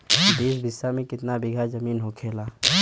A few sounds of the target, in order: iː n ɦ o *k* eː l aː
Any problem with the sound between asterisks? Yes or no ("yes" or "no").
yes